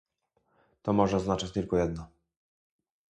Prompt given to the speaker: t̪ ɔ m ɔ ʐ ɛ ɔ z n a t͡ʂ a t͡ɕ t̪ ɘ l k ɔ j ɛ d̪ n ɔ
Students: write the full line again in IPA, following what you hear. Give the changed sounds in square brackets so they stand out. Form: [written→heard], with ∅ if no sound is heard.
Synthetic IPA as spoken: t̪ ɔ m ɔ ʐ ɛ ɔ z n a t͡ʂ a t͡ɕ t̪ ɘ l k ɔ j ɛ d̪ n ɔ